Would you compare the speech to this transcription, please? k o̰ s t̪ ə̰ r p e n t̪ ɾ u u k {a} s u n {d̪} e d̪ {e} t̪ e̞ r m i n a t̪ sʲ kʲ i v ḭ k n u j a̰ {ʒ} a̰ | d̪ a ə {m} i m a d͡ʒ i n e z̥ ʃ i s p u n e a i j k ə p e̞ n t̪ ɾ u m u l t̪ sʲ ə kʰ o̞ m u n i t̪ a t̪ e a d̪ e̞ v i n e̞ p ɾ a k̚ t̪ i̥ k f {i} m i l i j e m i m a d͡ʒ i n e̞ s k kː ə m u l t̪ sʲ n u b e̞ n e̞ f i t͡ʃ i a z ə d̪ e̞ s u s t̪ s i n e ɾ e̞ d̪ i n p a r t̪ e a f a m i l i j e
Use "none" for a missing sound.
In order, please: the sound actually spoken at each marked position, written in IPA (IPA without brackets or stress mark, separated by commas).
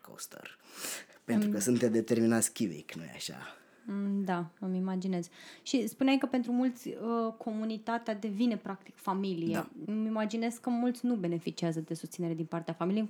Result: ə, t̪, e, ʃ, m, a